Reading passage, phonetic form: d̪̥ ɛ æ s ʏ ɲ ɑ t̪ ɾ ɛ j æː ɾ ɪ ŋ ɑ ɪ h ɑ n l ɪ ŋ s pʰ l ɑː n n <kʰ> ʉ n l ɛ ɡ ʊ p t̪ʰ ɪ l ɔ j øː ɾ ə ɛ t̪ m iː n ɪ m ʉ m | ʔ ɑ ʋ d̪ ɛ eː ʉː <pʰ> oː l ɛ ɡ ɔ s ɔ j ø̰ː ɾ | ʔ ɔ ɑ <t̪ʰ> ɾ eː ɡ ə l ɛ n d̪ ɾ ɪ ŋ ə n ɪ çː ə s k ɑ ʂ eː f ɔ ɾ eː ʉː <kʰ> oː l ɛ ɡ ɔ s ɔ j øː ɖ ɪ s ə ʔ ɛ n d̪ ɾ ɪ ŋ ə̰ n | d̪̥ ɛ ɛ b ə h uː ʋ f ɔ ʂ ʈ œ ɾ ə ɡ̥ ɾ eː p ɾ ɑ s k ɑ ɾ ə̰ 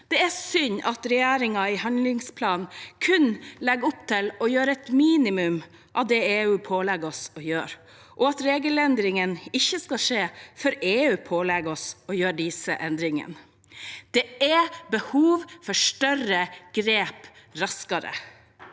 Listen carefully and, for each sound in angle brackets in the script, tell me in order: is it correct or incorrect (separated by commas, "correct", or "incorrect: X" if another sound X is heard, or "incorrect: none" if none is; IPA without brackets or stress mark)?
correct, correct, incorrect: t̪, incorrect: pʰ